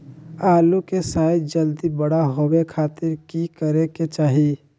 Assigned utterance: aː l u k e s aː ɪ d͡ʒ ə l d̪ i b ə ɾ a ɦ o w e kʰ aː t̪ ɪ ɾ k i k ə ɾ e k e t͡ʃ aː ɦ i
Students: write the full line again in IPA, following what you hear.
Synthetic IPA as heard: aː l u k e s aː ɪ d͡ʒ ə l d̪ i b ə ɽ a ɦ o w e kʰ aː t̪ ɪ ɾ k i k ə ɾ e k e t͡ʃ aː ɦ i